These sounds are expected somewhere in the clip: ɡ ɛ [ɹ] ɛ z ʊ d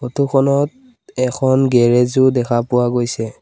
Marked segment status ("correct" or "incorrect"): correct